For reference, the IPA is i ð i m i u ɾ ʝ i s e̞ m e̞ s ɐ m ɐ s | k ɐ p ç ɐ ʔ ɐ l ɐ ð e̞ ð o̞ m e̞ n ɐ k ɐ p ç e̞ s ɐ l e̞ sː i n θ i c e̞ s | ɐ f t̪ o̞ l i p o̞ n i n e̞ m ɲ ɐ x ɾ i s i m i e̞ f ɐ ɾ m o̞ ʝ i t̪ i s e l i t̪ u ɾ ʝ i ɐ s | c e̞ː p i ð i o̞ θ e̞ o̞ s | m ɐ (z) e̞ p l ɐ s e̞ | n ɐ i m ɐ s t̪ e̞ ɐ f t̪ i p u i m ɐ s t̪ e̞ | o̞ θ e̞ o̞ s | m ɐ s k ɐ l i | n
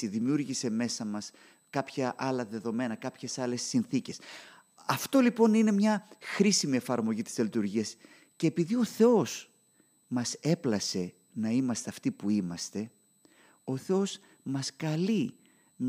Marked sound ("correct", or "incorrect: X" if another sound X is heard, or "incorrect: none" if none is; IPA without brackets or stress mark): incorrect: s